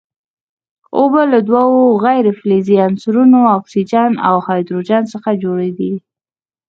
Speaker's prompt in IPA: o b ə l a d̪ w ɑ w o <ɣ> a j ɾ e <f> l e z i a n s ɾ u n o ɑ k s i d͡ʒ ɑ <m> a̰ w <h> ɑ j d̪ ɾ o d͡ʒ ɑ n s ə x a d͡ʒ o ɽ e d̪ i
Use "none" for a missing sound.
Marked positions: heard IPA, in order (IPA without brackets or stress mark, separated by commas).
ɣ, f, n, h